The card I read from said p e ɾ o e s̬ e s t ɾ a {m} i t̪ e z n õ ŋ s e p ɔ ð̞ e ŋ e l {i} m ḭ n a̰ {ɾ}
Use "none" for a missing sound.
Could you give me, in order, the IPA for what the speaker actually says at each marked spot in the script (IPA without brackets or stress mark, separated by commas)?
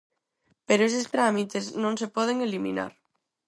m, i, ɾ